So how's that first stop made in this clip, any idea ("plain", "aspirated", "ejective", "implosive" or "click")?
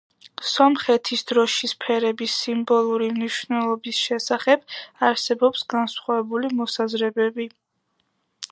aspirated